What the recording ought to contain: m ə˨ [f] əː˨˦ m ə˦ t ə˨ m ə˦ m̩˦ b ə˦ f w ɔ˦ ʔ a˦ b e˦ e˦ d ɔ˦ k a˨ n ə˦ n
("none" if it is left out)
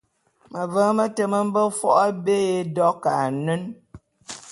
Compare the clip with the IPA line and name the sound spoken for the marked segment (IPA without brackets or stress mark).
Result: v